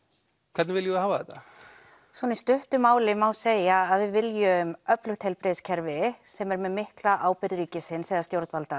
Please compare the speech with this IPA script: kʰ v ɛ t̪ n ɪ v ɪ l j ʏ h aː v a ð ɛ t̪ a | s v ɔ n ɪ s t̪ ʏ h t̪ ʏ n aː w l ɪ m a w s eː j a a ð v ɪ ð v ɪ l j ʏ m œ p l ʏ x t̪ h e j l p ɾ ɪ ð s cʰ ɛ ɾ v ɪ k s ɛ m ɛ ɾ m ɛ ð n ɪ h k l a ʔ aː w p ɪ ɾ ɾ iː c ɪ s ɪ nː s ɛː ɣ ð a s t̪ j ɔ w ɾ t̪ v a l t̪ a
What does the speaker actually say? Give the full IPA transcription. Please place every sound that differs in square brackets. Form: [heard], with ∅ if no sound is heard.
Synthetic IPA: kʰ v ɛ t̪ n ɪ v ɪ l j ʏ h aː v a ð ɛ t̪ a | s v ɔ n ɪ s t̪ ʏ h t̪ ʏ [m] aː w l ɪ m a w s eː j a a ð v ɪ ð v ɪ l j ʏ m œ p l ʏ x t̪ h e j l p ɾ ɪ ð s cʰ ɛ ɾ v ɪ [∅] s ɛ m ɛ ɾ m ɛ ð [m] ɪ h k l a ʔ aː w p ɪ ɾ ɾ iː c ɪ s ɪ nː s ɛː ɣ ð a s t̪ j [o] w ɾ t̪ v a l t̪ a